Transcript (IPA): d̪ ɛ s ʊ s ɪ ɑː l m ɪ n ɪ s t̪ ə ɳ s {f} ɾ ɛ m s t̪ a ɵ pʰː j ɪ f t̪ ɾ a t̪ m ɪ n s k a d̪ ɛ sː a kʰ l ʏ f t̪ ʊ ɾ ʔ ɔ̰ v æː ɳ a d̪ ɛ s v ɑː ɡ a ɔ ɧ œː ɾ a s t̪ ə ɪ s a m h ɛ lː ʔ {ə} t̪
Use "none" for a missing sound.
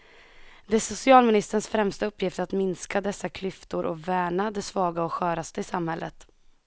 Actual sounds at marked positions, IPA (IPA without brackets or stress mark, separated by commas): f, ə